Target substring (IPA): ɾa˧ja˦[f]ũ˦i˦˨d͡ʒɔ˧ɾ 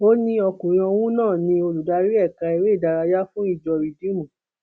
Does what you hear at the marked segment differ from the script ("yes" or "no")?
no